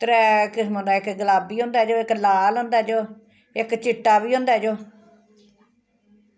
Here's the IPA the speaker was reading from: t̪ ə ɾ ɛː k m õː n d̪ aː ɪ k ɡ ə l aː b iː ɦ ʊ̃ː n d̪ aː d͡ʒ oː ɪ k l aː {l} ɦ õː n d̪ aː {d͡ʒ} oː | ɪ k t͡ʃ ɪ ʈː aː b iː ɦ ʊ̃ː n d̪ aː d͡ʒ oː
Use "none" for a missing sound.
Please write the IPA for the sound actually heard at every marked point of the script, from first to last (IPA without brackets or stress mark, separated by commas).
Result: l, d͡ʒ